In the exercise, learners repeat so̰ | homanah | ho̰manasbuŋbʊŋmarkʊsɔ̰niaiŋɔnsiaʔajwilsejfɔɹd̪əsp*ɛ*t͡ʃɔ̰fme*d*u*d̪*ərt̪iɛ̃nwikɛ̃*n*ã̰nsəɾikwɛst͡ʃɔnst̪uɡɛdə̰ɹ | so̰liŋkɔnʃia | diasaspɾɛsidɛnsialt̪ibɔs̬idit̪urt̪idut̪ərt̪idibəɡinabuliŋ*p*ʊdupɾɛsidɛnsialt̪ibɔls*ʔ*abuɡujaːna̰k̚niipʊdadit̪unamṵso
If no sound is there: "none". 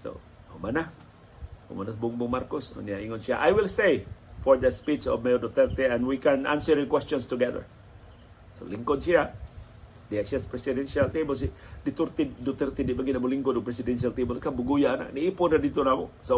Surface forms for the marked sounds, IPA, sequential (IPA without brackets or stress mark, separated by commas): i, d, t̪, n, k, k